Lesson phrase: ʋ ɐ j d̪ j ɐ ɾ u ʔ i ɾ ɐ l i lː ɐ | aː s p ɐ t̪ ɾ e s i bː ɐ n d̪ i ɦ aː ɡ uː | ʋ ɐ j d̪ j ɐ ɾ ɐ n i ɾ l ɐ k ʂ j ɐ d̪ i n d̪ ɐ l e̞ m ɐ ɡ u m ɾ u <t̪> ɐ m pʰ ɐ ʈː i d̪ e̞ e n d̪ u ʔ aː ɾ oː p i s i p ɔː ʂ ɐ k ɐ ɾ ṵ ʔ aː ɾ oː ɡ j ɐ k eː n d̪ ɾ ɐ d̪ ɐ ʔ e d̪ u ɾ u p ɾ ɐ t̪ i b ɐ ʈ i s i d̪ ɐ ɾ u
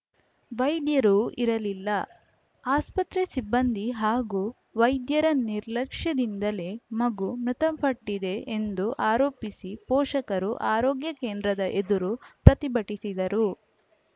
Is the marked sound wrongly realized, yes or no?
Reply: no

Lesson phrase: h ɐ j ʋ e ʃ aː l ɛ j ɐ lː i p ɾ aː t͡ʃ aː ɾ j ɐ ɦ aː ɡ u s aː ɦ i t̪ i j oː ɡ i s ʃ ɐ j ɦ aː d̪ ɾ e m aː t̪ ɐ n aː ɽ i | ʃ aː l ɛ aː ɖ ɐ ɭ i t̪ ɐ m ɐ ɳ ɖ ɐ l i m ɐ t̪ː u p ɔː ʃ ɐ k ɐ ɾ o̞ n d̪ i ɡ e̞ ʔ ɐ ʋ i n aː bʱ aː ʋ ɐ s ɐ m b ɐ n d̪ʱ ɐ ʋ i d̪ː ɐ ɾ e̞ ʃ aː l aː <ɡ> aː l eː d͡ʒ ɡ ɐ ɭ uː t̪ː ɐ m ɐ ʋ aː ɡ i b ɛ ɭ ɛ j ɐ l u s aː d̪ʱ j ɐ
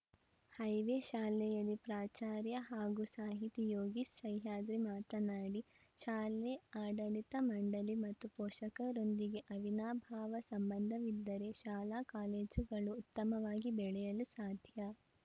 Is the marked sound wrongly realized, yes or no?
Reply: yes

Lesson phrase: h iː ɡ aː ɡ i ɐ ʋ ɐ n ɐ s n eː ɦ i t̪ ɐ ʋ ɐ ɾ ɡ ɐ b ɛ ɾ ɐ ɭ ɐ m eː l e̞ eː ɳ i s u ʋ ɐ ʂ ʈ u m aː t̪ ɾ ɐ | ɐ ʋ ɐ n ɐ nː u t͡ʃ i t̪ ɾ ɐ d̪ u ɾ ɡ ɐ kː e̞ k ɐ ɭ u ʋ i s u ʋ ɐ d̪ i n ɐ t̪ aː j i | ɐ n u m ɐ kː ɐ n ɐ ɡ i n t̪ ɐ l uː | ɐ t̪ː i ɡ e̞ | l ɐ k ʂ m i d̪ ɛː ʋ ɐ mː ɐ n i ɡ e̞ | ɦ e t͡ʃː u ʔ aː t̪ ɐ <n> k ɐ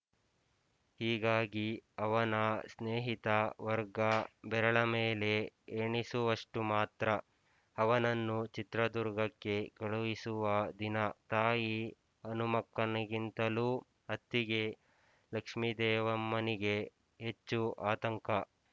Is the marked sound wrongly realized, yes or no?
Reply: yes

